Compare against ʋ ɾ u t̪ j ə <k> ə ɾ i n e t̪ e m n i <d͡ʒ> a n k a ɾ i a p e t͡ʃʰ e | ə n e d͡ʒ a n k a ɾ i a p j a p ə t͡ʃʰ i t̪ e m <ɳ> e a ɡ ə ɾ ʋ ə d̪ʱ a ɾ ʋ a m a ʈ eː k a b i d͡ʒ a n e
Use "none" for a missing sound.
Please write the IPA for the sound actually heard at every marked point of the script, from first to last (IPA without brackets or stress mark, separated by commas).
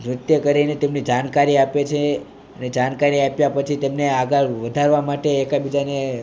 k, d͡ʒ, n